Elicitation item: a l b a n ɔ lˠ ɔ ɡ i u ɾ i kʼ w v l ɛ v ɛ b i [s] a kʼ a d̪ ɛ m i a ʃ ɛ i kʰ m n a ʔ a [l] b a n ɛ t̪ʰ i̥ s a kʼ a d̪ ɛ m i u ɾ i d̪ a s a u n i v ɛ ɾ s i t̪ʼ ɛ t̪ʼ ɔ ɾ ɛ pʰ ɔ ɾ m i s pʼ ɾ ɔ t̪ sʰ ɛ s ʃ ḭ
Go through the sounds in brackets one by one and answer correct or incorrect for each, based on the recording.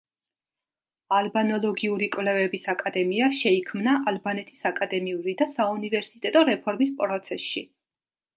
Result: correct, correct

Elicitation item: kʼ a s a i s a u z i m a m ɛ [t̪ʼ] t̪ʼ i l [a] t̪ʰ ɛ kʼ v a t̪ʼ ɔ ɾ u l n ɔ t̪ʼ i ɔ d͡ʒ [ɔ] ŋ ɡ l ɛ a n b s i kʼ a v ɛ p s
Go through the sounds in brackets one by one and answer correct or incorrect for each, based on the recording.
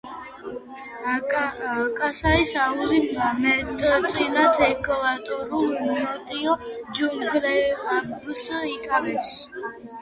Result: correct, correct, incorrect: u

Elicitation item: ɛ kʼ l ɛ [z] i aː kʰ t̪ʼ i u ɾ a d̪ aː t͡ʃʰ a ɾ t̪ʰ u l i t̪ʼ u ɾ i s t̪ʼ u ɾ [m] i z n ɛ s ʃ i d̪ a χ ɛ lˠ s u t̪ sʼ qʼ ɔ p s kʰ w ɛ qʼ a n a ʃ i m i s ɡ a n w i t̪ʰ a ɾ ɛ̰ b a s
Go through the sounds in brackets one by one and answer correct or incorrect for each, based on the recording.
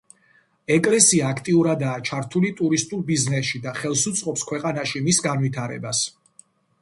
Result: incorrect: s, incorrect: b

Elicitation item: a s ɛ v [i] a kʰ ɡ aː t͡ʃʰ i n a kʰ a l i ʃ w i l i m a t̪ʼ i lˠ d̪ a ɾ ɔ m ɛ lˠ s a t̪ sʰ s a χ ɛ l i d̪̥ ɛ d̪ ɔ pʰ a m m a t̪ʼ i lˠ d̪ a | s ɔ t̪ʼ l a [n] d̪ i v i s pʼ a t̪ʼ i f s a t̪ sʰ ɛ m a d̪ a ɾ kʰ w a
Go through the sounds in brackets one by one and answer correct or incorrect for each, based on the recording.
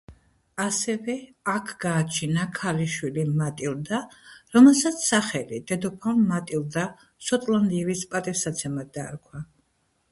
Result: incorrect: ɛ, correct

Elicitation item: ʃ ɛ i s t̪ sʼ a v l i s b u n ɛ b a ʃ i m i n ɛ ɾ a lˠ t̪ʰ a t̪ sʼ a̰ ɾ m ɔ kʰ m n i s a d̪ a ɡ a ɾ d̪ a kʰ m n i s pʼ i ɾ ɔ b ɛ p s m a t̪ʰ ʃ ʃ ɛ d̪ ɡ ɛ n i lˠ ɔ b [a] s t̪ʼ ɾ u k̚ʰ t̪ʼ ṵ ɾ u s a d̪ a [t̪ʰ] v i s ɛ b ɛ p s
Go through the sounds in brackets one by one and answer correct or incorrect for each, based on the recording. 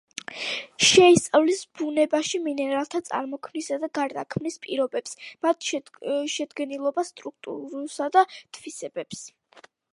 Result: correct, correct

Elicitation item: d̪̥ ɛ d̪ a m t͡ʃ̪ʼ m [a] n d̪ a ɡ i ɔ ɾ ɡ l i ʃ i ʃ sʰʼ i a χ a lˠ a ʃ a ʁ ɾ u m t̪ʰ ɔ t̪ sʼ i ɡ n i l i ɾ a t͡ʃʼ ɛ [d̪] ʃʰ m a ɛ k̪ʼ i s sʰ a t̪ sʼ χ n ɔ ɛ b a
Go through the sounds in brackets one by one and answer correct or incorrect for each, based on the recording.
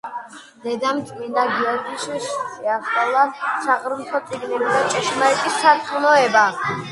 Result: incorrect: i, incorrect: none

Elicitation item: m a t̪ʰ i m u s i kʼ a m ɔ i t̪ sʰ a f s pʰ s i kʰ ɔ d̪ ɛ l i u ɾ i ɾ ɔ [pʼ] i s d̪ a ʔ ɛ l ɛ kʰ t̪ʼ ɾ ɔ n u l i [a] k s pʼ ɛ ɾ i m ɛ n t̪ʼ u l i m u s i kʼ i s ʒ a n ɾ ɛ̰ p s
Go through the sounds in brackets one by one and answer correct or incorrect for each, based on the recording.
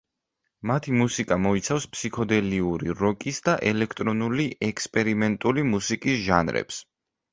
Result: incorrect: kʼ, incorrect: ɛ

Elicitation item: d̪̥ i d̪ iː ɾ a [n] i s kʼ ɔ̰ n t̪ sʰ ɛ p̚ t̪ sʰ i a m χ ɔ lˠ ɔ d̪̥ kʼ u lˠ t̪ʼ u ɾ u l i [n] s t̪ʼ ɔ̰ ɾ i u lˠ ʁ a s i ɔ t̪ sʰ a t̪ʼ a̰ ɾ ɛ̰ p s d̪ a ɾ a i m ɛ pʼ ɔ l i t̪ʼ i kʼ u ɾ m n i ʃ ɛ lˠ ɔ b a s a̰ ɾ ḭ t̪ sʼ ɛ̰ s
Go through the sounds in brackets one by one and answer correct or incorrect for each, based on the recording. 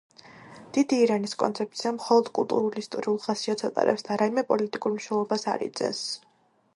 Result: correct, incorrect: none

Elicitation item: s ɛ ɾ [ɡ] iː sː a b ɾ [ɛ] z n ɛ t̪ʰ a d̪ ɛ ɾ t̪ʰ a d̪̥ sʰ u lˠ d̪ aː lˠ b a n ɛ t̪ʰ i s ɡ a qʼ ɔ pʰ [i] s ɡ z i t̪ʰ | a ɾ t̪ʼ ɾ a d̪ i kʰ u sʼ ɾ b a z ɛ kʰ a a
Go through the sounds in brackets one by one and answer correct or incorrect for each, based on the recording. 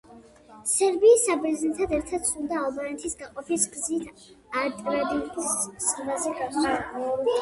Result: incorrect: b, correct, correct

